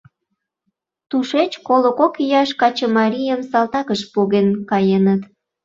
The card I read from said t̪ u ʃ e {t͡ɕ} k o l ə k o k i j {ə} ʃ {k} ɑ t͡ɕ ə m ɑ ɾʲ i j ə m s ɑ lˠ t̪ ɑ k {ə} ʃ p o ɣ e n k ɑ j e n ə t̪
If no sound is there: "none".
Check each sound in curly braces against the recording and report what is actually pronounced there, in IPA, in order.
t͡ɕ, ɑ, k, ə

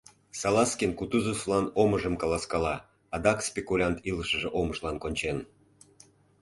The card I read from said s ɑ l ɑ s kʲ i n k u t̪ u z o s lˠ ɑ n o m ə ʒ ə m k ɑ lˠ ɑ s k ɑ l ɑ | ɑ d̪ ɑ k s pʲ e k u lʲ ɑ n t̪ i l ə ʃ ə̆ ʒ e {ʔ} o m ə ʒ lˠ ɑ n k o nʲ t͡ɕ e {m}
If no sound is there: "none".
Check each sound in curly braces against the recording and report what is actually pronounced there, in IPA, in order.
ʔ, n

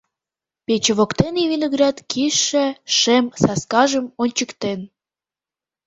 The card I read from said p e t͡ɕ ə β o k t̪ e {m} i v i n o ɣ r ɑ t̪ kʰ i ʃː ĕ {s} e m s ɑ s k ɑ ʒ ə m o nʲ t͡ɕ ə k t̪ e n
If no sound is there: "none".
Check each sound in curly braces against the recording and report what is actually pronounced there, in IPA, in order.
n, ʃ

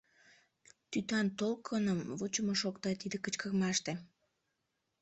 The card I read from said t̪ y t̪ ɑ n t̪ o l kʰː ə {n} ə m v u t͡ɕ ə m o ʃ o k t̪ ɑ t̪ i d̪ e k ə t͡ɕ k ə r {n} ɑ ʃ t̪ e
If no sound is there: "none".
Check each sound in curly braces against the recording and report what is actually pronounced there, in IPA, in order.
n, m

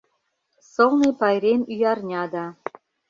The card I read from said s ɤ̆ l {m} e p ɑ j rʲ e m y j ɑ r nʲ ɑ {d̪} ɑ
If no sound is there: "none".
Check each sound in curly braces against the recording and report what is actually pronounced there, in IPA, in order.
n, d̪

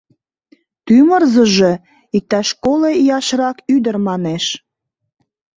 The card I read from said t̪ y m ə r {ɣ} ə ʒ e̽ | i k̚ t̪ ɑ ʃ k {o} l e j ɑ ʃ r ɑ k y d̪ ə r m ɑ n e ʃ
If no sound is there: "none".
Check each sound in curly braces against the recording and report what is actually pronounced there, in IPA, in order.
z, o

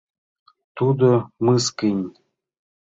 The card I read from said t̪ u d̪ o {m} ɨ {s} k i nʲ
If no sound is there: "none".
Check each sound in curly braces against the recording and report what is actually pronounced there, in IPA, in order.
m, s

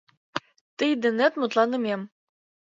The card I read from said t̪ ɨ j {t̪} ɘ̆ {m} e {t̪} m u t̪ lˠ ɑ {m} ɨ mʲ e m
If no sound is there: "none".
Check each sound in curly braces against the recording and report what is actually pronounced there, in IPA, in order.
d̪, n, t̪, n

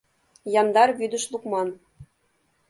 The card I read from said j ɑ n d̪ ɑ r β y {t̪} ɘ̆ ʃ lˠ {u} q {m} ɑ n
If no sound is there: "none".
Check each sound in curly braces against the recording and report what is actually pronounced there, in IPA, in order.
d̪, u, m

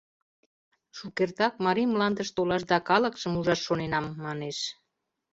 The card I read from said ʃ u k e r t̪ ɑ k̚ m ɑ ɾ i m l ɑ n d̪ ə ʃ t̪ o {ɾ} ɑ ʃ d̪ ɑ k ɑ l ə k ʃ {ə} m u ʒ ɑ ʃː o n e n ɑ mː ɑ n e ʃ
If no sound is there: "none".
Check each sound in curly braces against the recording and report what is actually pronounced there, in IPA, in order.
l, ə

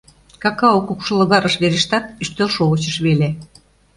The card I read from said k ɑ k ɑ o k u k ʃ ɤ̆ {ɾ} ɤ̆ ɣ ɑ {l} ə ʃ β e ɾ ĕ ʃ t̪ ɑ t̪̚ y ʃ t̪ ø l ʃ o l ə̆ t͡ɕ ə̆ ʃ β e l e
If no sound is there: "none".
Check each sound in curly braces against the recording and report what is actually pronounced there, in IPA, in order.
l, ɾ

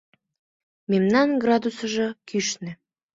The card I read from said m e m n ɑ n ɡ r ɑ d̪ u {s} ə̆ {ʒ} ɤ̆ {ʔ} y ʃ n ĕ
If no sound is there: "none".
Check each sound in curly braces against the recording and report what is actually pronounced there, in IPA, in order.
s, ʒ, k

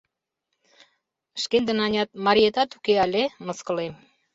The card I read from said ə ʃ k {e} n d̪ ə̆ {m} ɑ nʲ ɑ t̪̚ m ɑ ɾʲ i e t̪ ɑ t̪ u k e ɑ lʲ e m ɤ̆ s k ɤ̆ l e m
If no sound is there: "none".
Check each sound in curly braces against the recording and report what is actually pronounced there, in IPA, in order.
e, n

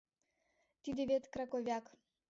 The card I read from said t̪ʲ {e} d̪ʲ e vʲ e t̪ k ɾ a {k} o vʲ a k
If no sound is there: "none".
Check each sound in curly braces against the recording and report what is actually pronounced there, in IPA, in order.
i, k

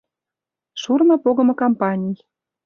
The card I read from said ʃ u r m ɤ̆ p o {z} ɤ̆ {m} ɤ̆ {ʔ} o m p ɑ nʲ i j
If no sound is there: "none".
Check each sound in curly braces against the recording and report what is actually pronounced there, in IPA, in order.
ɣ, m, k

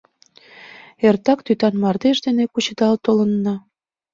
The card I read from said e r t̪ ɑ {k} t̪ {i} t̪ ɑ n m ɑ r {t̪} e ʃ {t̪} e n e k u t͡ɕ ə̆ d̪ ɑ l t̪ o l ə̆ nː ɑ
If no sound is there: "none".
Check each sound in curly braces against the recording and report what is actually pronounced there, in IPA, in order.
k, y, d̪, d̪

